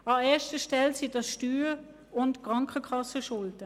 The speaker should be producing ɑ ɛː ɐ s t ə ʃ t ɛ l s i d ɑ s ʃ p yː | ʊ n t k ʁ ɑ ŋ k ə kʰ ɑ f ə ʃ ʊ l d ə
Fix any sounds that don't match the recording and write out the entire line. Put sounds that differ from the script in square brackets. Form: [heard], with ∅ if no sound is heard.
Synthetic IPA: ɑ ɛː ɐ [ʃ] t ə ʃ t ɛ l s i d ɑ s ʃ [t] yː | ʊ n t k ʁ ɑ ŋ k ə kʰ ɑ [s] ə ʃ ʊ l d ə